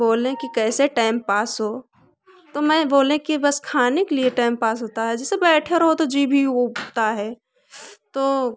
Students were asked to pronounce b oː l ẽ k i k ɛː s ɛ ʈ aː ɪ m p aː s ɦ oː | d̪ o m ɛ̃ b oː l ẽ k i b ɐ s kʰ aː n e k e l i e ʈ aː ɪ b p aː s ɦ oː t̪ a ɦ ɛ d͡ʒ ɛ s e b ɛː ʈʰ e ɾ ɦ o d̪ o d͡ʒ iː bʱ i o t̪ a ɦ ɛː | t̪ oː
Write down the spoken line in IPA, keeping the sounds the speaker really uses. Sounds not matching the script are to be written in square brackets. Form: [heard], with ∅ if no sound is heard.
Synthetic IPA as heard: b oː l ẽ k i k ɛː s [e] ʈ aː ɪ m p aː s ɦ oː | [t̪] o m ɛ̃ b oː l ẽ k i b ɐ s kʰ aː n e k e l i e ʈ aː ɪ [m] p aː s ɦ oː t̪ a ɦ ɛ d͡ʒ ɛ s e b ɛː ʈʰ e ɾ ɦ o [t̪] o d͡ʒ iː bʱ i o t̪ a ɦ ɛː | t̪ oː

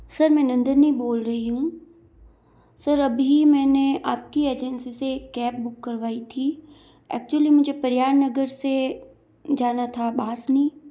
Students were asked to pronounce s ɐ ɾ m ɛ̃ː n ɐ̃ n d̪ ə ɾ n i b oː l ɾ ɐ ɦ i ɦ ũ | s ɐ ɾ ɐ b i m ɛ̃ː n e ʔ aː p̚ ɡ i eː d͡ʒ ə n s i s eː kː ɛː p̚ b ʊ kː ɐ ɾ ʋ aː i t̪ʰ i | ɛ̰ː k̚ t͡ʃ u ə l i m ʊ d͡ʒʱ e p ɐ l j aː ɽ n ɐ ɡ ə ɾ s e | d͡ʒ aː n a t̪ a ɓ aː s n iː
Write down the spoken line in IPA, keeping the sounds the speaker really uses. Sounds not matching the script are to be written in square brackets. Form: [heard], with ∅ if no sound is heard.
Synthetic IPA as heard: s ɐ ɾ m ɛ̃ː n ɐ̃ n d̪ ə ɾ n i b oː l ɾ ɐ ɦ i ɦ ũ | s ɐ ɾ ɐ b i m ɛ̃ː n e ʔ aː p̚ [k] i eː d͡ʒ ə n s i s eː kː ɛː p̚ b ʊ kː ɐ ɾ ʋ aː i t̪ʰ i | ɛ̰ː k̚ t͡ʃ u ə l i m ʊ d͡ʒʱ e p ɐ [ɾ] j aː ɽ n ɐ ɡ ə ɾ s e | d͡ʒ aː n a [t̪ʰ] a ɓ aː s n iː

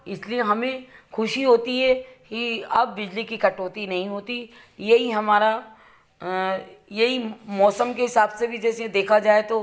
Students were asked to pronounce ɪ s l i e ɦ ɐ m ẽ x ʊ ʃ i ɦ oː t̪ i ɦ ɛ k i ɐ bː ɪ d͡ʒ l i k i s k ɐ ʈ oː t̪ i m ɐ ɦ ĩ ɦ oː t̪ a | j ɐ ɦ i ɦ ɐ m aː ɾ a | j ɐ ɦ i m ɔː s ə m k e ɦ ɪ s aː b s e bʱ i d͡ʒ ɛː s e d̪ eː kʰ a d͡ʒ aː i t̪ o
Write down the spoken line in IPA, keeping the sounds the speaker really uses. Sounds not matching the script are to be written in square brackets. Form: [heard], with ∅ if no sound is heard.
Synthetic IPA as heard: ɪ s l i e ɦ ɐ m ẽ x ʊ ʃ i ɦ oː t̪ i ɦ ɛ k i ɐ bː ɪ d͡ʒ l i k i [∅] k ɐ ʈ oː t̪ i [n] ɐ ɦ ĩ ɦ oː t̪ [i] | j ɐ ɦ i ɦ ɐ m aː ɾ a | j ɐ ɦ i m ɔː s ə m k e ɦ ɪ s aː b s e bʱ i d͡ʒ ɛː s e d̪ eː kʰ a d͡ʒ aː [e] t̪ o

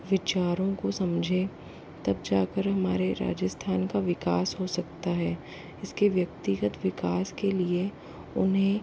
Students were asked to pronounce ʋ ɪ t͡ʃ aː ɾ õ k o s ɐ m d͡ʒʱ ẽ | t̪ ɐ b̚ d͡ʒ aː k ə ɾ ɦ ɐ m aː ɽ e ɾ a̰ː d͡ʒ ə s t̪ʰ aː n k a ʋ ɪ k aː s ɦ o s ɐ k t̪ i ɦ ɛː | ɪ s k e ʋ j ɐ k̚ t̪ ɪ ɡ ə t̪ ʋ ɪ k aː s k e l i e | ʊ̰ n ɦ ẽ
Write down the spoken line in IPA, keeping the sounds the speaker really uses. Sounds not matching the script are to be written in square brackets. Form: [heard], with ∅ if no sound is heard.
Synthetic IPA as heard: ʋ ɪ t͡ʃ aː ɾ õ k o s ɐ m d͡ʒʱ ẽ | t̪ ɐ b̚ d͡ʒ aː k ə ɾ ɦ ɐ m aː [ɾ] e ɾ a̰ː d͡ʒ ə s t̪ʰ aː n k a ʋ ɪ k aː s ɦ o s ɐ k t̪ [a] ɦ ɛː | ɪ s k e ʋ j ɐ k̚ t̪ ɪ ɡ ə t̪ ʋ ɪ k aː s k e l i e | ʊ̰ n ɦ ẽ

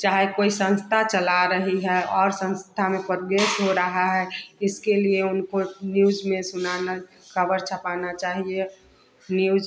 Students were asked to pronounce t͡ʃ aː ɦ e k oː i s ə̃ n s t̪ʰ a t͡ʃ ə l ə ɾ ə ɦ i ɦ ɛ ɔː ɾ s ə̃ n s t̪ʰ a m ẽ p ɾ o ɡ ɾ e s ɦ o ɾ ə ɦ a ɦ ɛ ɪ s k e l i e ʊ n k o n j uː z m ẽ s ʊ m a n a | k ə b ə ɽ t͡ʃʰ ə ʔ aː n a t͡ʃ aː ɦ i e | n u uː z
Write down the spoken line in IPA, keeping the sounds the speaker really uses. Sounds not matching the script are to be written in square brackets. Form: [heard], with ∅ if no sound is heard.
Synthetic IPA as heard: t͡ʃ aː ɦ e k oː i s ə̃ n s t̪ʰ a t͡ʃ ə l [a] ɾ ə ɦ i ɦ ɛ ɔː ɾ s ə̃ n s t̪ʰ a m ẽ p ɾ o ɡ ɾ e s ɦ o ɾ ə ɦ a ɦ ɛ ɪ s k e l i e ʊ n k o n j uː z m ẽ s ʊ [n] a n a | k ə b ə [ɾ] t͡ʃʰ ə [p] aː n a t͡ʃ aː ɦ i e | n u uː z

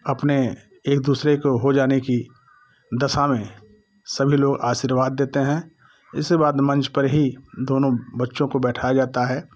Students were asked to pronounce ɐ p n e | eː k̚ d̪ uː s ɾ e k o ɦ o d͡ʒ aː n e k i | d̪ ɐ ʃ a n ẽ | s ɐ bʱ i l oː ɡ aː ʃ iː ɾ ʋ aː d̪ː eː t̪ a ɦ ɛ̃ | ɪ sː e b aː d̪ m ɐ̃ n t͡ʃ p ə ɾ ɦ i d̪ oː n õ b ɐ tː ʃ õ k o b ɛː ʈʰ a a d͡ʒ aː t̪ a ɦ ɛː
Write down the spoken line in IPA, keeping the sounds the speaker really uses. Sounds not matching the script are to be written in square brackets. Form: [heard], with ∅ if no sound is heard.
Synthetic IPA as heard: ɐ p n e | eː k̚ d̪ uː s ɾ e k o ɦ o d͡ʒ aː n e k i | d̪ ɐ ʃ a [m] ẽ | s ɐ bʱ i l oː ɡ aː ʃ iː ɾ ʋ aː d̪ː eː t̪ [e] ɦ ɛ̃ | ɪ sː e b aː d̪ m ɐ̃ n t͡ʃ p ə ɾ ɦ i d̪ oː n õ b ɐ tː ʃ õ k o b ɛː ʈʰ a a d͡ʒ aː t̪ a ɦ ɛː

